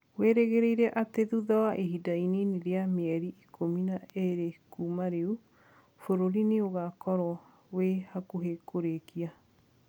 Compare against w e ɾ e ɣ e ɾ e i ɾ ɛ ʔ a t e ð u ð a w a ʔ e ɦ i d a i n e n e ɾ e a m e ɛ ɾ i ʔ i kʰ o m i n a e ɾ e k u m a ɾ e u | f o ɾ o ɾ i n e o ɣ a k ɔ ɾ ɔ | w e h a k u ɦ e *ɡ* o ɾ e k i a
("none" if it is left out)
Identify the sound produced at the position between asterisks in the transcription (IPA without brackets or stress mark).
k